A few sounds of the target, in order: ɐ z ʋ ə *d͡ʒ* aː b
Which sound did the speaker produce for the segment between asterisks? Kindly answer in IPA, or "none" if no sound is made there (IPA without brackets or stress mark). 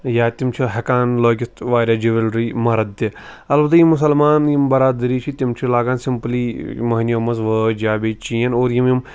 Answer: d͡ʒ